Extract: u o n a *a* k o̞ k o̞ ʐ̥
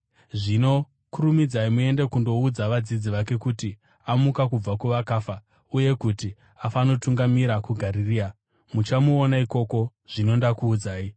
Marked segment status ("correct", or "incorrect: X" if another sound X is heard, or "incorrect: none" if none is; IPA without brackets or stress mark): incorrect: i